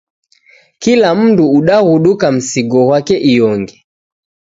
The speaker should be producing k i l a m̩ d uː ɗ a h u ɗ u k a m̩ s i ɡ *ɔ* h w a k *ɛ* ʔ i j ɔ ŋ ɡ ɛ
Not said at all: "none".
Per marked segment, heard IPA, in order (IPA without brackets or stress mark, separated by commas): ɔ, ɛ